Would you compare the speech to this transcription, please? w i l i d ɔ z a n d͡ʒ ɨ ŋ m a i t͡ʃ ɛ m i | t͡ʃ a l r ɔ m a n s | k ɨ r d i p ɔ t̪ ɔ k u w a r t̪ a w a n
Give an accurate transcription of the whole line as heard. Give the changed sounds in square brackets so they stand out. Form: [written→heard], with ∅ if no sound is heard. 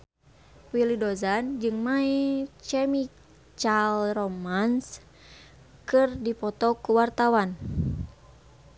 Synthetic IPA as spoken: w i l i d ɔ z a n d͡ʒ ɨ ŋ m a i t͡ʃ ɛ m i | t͡ʃ a l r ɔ m a n s | k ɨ r d i p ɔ t̪ ɔ k u w a r t̪ a w a n

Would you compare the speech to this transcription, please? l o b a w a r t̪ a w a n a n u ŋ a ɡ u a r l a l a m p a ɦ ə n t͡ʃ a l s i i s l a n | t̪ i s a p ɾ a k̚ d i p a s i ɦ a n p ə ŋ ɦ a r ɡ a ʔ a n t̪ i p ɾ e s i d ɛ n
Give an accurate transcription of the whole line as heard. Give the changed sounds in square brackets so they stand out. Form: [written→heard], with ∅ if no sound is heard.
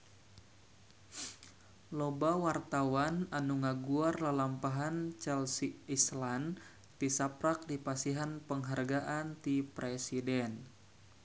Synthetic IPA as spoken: l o b a w a r t̪ a w a n a n u ŋ a ɡ u a r l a l a m p a ɦ [ə→a] n t͡ʃ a l s i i s l a n | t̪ i s a p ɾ a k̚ d i p a s i ɦ a n p ə ŋ ɦ a r ɡ a ʔ a n t̪ i p ɾ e s i d ɛ n

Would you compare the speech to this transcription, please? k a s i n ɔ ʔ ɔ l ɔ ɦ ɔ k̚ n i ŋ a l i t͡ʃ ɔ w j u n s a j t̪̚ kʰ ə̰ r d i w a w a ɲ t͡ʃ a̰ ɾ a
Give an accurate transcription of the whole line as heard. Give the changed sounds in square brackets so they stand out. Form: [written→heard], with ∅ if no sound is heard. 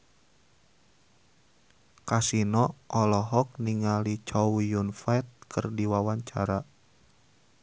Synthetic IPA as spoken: k a s i n ɔ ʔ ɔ l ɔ ɦ ɔ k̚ n i ŋ a l i t͡ʃ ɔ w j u n [s→f] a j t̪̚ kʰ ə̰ r d i w a w a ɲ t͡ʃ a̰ ɾ a

